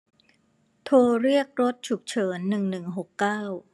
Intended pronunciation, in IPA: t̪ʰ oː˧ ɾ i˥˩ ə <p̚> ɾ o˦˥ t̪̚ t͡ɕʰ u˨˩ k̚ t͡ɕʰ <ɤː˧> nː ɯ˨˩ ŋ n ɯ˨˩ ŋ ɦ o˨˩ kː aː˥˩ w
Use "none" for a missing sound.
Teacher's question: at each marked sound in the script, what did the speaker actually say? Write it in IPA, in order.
k̚, ɤː˩˦

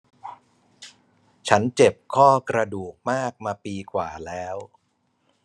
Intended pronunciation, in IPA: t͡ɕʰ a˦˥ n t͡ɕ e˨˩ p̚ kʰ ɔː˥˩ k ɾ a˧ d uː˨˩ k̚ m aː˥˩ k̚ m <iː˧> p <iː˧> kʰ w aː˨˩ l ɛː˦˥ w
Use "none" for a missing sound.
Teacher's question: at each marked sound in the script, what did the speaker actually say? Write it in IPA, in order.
aː˧, iː˧

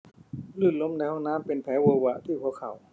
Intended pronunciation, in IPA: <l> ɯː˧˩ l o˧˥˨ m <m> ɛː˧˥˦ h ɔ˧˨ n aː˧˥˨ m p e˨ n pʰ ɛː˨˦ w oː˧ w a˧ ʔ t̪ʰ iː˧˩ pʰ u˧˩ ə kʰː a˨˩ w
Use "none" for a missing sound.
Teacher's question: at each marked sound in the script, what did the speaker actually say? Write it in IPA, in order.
l, n

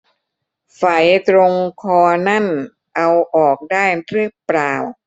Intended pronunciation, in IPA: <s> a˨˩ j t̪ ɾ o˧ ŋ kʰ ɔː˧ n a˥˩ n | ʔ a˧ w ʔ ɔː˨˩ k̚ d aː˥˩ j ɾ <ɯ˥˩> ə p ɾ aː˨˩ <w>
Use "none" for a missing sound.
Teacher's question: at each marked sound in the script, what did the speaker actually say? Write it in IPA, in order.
f, ɯ˥˩, w

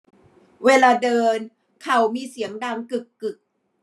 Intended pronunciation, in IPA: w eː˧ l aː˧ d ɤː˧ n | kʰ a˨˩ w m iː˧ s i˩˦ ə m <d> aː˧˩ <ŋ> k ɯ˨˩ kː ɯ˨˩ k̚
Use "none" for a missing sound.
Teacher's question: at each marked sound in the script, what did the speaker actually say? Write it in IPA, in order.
d, ŋ

